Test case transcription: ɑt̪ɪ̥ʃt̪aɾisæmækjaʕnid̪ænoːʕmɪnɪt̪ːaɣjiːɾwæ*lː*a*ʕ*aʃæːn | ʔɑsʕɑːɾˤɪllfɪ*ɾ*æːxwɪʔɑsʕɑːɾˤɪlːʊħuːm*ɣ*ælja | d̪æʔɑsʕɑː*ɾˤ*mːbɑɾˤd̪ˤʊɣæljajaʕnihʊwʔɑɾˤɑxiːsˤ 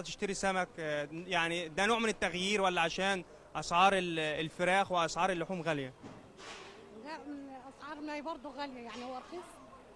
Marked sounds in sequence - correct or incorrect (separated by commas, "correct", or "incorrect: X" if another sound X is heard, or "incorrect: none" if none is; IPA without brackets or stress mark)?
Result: correct, correct, correct, correct, correct